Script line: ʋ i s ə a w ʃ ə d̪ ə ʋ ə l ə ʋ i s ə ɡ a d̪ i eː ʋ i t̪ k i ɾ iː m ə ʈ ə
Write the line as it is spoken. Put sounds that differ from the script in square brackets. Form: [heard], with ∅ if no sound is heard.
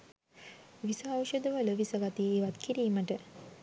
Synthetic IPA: ʋ i s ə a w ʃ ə d̪ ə ʋ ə l ə ʋ i s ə ɡ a [t̪] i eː ʋ [a] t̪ k i ɾ iː m ə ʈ ə